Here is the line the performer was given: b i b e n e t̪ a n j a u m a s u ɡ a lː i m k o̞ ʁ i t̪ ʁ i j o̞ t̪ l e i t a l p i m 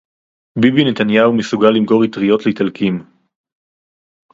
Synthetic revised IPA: b i b i n e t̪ a n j a u m e s u ɡ a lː i m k o̞ ʁ i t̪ ʁ i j o̞ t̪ l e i t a l k i m

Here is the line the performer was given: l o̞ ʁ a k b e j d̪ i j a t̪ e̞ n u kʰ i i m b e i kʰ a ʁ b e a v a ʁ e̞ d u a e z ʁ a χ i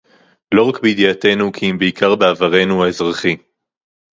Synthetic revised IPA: l o̞ ʁ a k b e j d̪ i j a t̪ e̞ n u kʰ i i m b e i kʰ a ʁ b e a v a ʁ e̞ n u a e z ʁ a χ i

